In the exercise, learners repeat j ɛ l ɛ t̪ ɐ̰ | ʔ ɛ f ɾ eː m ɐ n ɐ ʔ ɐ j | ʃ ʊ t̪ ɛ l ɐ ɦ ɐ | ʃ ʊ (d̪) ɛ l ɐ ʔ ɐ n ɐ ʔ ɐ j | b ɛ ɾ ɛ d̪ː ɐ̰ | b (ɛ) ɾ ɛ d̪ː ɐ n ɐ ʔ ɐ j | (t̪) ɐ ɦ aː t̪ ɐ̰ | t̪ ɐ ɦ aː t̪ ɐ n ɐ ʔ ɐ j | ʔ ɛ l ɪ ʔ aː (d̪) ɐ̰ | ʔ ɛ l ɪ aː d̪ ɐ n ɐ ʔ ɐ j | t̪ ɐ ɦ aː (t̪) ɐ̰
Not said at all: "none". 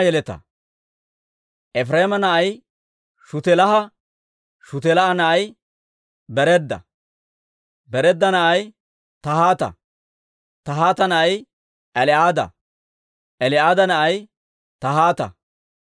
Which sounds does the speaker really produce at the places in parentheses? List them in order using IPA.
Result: t̪, ɛ, t̪, d̪, t̪

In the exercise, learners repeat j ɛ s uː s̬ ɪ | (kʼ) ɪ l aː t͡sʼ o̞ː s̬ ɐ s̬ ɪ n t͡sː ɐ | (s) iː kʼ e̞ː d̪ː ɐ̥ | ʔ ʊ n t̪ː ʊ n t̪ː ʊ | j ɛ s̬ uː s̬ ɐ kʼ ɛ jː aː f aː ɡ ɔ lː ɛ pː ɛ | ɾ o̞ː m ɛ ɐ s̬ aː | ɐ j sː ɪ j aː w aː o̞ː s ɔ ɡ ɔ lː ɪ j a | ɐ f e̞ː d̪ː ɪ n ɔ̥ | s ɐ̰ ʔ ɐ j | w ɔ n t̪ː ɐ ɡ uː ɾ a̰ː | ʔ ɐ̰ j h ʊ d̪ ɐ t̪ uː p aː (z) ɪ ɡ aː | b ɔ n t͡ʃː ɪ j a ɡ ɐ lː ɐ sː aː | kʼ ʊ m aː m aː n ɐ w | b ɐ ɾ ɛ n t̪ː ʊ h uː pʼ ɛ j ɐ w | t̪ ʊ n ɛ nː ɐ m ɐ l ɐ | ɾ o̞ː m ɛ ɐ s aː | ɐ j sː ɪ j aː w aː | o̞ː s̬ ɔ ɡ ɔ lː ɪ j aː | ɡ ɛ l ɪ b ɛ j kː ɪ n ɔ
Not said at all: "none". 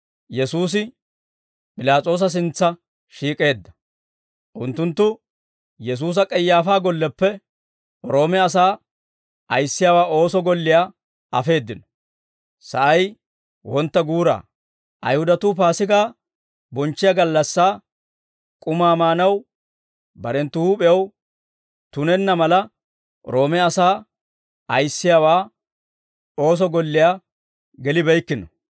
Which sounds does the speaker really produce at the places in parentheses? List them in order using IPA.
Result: pʼ, ʃ, s

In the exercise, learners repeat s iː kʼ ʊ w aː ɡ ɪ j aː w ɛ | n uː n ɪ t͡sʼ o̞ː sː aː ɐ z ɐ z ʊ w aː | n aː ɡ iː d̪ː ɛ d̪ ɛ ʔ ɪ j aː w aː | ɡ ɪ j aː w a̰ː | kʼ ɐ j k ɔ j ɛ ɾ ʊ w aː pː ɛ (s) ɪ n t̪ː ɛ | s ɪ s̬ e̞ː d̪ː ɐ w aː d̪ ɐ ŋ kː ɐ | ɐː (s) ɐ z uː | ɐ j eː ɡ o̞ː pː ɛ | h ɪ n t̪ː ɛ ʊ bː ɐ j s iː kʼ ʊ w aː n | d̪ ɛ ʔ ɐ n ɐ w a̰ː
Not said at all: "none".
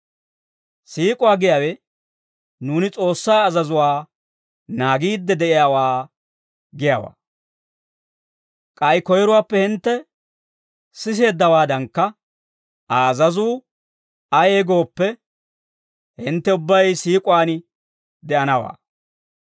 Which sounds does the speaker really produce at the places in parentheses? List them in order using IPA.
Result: h, z

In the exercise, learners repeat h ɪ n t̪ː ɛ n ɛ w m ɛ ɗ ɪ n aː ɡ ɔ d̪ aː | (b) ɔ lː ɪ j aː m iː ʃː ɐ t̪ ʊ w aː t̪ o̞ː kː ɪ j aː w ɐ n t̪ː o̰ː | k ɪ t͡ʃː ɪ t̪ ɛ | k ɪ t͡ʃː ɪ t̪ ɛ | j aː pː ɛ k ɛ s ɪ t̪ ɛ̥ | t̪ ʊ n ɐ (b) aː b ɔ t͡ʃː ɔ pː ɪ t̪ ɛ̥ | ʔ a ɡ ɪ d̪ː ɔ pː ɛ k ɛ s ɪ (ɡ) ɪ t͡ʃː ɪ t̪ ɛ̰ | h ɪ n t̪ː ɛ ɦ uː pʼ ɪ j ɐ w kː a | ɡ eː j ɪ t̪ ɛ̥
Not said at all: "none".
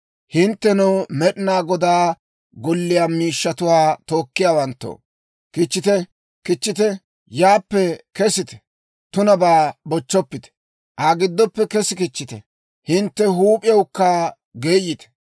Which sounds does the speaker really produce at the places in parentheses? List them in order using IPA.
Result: ɡ, b, k

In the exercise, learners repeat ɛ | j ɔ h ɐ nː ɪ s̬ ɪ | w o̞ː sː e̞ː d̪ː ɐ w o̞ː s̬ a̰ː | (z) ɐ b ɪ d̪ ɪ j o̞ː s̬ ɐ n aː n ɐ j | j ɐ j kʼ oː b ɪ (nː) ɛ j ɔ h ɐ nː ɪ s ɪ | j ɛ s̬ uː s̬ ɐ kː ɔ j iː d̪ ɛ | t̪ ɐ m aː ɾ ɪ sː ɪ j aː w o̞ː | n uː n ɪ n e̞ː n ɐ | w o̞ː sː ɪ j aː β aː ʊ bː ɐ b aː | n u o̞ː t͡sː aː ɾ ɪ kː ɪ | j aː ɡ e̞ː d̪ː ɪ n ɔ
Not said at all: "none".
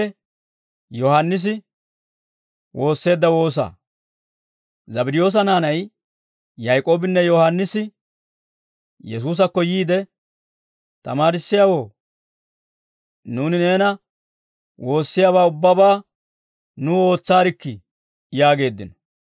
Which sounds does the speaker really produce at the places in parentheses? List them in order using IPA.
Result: z, nː

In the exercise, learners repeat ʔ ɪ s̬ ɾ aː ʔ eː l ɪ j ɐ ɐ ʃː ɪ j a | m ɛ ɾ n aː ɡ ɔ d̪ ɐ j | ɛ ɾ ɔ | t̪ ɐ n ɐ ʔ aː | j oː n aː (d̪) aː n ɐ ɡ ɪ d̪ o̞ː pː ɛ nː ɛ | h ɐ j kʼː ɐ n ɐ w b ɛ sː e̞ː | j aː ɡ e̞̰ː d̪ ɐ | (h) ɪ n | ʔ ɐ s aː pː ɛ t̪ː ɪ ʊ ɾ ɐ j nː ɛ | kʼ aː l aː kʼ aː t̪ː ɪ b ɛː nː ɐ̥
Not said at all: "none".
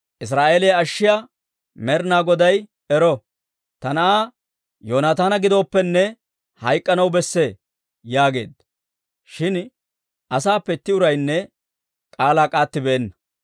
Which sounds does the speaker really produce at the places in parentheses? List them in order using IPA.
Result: t̪, ʃ

